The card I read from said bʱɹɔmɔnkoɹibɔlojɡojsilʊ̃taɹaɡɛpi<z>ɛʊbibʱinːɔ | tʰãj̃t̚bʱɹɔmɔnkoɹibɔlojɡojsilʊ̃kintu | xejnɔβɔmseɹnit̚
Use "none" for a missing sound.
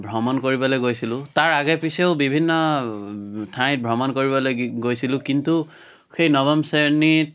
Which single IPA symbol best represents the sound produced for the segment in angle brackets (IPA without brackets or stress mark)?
s